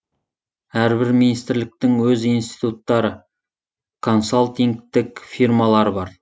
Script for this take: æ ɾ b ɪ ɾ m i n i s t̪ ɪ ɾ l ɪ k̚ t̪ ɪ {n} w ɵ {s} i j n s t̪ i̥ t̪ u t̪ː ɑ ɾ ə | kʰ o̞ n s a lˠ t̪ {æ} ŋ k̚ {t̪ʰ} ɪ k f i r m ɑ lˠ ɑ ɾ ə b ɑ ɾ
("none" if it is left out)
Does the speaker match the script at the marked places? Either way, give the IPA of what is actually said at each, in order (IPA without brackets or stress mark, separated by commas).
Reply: ŋ, z, i, t̪